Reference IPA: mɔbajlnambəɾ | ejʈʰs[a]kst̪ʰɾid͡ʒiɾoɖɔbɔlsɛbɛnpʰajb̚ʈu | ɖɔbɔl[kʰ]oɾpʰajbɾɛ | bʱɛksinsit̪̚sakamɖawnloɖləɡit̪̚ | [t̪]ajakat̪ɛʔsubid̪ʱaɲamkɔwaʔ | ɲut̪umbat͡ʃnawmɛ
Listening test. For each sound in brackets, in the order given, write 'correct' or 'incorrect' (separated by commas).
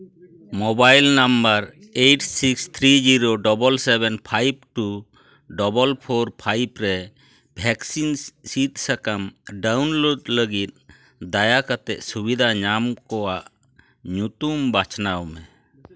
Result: incorrect, incorrect, incorrect